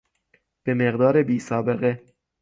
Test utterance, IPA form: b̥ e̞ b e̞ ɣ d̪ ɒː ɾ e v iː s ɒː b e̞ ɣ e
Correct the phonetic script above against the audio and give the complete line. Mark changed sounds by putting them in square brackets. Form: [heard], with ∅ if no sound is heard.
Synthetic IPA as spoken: b̥ e̞ [m] e̞ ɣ d̪ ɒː ɾ e [b] iː s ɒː b e̞ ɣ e